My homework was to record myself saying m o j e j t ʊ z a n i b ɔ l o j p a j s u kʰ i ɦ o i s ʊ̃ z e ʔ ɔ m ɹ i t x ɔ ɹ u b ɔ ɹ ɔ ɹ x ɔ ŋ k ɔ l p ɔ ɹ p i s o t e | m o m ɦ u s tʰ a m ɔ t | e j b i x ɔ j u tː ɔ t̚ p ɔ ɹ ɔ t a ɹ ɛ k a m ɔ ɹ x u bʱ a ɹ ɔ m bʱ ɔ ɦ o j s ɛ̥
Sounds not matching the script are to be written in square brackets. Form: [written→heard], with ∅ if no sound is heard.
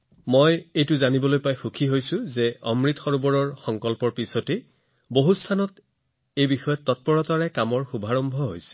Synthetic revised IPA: m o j e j t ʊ z a n i b ɔ l o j p a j [s→x] u kʰ i ɦ o [i→j] s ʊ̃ z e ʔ ɔ m ɹ i t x ɔ ɹ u b ɔ ɹ ɔ ɹ x ɔ ŋ k ɔ l p ɔ ɹ p i s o t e | [m→b] o [m→∅] ɦ u s tʰ a [m→n] ɔ t | e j b i x ɔ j [u→ɔ] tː ɔ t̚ p ɔ ɹ ɔ t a ɹ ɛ k a m ɔ ɹ x u bʱ a ɹ ɔ m bʱ ɔ ɦ o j s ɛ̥